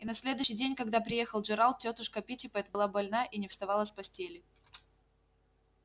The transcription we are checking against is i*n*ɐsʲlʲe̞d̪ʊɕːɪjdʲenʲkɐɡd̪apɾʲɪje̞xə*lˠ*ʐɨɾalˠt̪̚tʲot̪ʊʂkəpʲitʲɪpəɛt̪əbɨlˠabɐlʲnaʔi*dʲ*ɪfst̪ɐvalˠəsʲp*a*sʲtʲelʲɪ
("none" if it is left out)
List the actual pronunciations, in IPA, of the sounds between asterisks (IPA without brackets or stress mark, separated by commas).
n, lˠ, nʲ, ɐ